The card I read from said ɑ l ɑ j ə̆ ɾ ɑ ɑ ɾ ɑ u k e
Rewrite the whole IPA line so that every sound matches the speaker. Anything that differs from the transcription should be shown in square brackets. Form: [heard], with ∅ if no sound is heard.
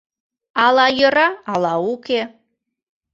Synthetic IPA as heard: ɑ l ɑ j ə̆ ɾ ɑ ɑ [l] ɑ u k e